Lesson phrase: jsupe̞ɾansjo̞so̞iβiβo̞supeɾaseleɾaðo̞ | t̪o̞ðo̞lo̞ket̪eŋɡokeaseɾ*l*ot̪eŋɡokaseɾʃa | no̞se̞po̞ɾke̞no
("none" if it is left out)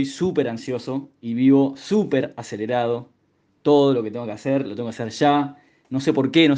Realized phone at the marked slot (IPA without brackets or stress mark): l